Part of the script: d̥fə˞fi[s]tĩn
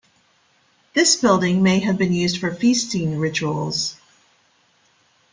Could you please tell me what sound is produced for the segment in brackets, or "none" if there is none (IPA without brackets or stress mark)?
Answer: s